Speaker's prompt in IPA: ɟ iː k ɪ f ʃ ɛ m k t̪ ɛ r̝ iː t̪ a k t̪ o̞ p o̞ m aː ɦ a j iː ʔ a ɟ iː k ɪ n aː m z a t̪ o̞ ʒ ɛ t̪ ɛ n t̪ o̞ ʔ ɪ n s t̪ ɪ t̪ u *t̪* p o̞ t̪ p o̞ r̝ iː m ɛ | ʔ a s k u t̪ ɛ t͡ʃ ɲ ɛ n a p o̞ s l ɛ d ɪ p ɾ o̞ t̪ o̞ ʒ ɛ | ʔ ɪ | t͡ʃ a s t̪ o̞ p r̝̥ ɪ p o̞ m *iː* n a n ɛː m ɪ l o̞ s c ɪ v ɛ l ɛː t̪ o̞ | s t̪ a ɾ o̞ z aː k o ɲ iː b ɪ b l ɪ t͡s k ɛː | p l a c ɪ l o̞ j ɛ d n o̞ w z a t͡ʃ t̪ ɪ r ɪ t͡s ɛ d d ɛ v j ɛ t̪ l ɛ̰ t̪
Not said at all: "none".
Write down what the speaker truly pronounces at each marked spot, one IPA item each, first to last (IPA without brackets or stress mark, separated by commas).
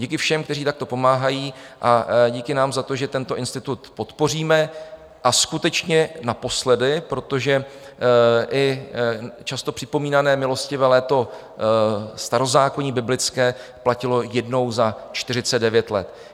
t̪, iː